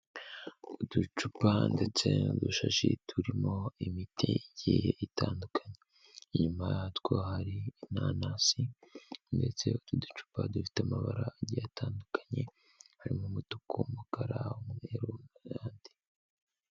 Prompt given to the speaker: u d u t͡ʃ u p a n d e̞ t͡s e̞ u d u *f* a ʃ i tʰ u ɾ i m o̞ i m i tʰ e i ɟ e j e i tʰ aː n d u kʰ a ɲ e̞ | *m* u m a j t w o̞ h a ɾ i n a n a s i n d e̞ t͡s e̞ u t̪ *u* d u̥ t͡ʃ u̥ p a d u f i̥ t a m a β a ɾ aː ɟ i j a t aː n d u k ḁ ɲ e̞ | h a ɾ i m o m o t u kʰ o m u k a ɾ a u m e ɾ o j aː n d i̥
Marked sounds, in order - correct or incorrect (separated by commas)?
incorrect, incorrect, correct